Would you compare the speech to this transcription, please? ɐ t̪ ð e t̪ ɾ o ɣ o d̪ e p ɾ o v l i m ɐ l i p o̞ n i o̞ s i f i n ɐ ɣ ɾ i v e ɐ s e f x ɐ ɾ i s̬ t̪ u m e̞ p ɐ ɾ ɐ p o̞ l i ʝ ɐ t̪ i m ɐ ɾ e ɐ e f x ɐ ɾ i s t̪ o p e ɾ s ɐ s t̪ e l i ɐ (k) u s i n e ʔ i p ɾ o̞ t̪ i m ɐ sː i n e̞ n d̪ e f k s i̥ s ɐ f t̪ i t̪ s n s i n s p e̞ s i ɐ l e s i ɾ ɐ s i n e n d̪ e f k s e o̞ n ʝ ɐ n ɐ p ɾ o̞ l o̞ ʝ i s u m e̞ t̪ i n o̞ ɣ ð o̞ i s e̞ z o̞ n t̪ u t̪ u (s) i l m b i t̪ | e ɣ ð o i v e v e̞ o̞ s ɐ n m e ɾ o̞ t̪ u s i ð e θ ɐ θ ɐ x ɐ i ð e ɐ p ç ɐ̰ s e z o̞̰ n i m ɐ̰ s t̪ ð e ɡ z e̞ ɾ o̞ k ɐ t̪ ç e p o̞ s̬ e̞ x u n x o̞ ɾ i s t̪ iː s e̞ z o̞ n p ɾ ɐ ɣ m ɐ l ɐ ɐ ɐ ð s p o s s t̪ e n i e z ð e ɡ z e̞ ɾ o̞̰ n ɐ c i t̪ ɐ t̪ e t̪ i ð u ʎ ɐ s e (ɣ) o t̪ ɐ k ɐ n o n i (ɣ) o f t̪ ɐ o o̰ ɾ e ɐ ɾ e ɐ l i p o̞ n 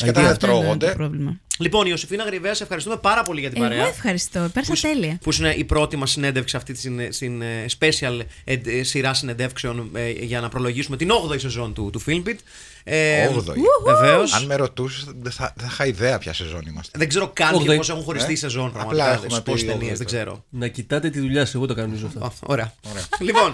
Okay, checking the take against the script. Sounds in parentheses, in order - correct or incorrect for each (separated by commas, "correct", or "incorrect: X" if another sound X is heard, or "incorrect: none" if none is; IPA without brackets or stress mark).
incorrect: p, incorrect: f, correct, incorrect: z